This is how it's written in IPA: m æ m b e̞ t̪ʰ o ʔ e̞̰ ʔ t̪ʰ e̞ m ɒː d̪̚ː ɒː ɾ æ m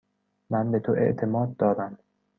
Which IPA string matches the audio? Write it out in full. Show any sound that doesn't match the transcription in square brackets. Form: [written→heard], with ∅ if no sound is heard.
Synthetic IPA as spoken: m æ [m→n] b e̞ t̪ʰ o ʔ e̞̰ ʔ t̪ʰ e̞ m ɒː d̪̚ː ɒː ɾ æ m